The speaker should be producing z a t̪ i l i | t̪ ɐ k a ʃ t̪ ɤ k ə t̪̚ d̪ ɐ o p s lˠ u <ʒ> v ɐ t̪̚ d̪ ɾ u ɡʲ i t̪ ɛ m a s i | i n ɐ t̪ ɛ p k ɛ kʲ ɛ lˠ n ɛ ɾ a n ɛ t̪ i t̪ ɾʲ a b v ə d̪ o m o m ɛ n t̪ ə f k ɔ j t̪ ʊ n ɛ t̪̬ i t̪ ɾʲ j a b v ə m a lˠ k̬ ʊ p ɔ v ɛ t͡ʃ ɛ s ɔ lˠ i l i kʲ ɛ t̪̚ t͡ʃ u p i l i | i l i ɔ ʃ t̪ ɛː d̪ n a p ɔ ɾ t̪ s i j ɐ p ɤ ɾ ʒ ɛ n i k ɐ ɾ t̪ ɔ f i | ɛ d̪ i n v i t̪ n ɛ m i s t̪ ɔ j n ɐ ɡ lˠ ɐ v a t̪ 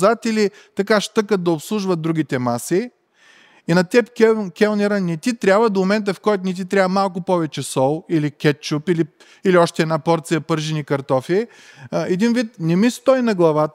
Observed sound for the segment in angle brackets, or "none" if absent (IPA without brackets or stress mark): ʒ